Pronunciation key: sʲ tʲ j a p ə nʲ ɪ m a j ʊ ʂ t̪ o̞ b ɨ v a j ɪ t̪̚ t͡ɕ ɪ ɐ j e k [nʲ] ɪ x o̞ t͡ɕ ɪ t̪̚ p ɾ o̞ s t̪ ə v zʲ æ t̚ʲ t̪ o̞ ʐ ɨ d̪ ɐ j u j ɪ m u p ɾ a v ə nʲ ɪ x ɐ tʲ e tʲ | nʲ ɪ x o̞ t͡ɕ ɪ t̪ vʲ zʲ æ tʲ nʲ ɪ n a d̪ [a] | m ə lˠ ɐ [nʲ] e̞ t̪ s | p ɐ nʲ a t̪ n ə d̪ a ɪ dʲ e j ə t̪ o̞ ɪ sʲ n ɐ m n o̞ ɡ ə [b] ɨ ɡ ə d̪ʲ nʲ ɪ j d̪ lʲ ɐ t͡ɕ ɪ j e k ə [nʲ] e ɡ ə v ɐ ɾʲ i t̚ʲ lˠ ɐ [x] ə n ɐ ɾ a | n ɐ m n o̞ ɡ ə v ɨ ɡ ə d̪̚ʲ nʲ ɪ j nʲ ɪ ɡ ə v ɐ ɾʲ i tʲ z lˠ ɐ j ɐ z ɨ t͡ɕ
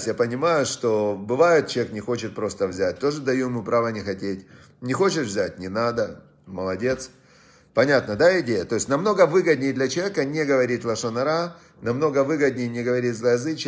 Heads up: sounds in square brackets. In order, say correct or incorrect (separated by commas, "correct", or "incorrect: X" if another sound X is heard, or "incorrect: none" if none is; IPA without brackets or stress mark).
correct, incorrect: ə, incorrect: dʲ, incorrect: v, correct, incorrect: ʂ